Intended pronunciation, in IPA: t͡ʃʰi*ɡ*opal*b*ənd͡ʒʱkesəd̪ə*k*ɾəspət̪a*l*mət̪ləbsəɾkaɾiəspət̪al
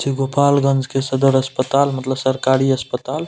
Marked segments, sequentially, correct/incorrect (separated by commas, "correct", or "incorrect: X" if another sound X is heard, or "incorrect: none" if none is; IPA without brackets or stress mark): correct, incorrect: ɡ, incorrect: none, correct